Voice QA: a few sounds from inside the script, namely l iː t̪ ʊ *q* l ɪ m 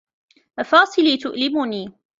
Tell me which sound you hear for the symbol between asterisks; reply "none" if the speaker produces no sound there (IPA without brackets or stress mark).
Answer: ʔ